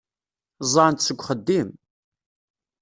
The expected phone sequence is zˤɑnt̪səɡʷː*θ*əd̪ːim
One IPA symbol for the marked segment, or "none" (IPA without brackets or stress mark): χ